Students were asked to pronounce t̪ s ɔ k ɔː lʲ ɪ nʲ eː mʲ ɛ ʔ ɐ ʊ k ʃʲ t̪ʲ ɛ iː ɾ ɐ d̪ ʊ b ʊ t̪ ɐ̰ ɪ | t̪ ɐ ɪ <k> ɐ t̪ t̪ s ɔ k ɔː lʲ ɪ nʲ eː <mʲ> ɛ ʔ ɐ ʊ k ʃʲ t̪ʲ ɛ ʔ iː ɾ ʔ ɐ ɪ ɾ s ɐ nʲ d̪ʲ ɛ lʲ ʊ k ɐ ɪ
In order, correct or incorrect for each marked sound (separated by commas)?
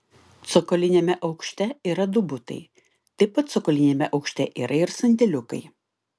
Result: incorrect, correct